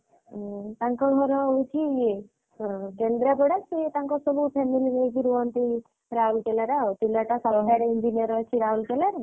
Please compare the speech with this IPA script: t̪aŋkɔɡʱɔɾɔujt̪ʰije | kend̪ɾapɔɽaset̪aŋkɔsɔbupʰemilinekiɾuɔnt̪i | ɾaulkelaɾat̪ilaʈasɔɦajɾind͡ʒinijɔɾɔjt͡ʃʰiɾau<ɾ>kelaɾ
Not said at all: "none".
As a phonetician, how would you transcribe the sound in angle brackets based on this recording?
l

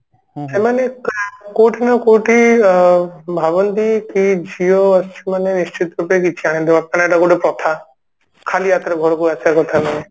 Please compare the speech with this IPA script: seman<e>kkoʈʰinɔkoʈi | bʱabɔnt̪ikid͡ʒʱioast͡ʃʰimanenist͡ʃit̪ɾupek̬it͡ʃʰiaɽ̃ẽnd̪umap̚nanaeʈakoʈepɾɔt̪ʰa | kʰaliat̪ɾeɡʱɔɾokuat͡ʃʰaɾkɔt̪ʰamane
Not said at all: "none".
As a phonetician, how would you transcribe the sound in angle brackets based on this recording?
e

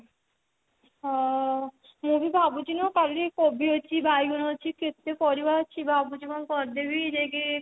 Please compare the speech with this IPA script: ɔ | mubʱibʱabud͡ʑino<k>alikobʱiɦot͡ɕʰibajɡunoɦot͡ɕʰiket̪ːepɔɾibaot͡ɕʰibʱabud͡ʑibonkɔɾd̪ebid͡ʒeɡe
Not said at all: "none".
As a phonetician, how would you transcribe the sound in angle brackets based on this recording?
k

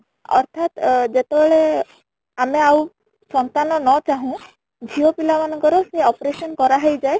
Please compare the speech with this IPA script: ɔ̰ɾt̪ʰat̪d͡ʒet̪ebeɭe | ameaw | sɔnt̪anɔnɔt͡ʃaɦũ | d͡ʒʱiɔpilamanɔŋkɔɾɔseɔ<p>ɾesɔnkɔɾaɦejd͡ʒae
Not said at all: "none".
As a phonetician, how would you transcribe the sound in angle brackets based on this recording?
p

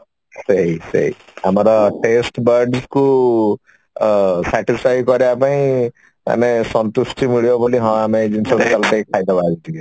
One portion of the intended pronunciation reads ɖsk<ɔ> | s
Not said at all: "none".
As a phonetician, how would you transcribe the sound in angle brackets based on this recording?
u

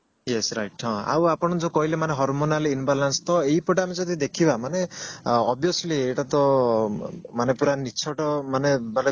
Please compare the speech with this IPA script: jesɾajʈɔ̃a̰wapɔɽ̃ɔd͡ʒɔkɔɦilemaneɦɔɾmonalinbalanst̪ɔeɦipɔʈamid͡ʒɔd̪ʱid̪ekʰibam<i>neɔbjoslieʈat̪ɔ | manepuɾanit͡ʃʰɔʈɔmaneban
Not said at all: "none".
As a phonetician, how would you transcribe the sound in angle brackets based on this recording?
a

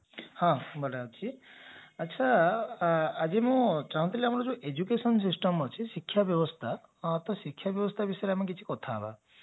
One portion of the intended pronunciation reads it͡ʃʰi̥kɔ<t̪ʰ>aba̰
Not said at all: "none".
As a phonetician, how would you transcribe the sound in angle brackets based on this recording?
t̪ʰ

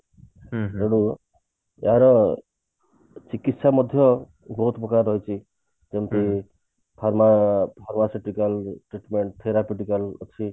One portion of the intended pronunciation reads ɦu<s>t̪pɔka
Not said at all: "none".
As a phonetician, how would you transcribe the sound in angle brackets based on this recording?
none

